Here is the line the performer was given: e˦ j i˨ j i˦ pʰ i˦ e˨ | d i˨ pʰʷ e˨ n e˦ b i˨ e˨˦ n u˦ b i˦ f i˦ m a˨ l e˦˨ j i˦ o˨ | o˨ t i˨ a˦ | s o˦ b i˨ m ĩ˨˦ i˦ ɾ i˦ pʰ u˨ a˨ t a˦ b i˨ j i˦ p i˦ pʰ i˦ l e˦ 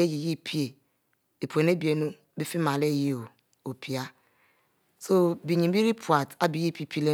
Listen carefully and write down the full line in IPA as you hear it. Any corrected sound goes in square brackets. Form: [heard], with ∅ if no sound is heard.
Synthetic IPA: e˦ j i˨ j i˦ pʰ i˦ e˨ | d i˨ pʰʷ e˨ n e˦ b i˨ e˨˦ n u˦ b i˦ f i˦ m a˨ l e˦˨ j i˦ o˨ | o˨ [p] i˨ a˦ | s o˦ b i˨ [ɲ] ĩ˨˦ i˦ ɾ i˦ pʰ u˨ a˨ t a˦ b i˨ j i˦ p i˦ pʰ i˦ l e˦

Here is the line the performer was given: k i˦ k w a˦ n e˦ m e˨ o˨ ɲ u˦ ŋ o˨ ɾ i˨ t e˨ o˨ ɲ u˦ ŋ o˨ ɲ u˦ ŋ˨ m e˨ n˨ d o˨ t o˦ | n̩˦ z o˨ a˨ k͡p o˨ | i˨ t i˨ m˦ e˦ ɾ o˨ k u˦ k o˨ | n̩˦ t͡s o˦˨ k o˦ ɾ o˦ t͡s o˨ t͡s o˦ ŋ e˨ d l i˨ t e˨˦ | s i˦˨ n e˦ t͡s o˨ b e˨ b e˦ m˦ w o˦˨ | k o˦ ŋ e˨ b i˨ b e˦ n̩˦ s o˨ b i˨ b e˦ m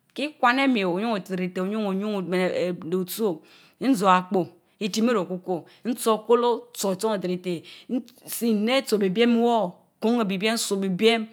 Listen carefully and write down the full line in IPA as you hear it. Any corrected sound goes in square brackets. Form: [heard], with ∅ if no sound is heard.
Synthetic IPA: k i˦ k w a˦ n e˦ m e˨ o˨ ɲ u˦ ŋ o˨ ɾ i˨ t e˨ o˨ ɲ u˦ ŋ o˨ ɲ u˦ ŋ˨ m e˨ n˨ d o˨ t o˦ | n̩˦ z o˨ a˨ k͡p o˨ | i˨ t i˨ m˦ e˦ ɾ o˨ k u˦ k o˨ | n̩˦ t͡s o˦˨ k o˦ [l] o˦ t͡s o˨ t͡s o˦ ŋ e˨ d [ɾ] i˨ t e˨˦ | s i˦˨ n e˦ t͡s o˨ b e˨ b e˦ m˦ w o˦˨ | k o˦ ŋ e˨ b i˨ b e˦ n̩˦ s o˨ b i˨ b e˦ m

